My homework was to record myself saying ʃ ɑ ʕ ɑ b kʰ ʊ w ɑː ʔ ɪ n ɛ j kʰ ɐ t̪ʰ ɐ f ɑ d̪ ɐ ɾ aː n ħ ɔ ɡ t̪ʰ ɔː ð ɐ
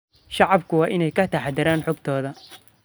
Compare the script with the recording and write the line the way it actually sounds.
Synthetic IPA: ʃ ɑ ʕ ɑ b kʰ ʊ w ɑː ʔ ɪ n ɛ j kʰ ɐ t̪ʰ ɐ ħ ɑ d̪ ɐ ɾ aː n ħ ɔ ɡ t̪ʰ ɔː ð ɐ